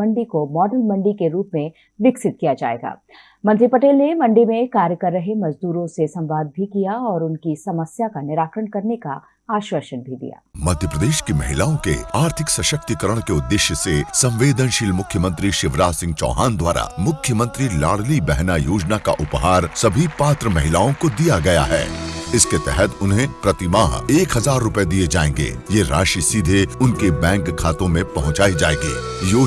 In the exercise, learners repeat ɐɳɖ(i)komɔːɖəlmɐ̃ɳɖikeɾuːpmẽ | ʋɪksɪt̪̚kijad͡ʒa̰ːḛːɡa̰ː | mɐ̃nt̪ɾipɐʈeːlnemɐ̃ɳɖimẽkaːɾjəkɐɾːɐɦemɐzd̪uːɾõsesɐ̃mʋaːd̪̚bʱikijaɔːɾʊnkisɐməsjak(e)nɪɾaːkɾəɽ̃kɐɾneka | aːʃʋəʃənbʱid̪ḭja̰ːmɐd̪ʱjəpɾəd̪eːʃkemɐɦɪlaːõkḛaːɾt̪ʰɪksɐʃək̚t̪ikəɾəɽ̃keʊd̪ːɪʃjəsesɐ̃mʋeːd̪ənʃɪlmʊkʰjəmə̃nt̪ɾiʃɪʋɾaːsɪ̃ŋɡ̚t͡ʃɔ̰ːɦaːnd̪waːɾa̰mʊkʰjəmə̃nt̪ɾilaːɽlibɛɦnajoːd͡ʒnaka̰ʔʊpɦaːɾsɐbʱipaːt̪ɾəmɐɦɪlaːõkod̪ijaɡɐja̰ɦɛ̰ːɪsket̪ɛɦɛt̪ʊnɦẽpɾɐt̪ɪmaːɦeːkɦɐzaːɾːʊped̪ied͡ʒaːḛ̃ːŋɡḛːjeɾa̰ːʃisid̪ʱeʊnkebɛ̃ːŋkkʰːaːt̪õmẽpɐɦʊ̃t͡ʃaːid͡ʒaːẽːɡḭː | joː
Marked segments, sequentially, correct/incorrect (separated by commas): correct, incorrect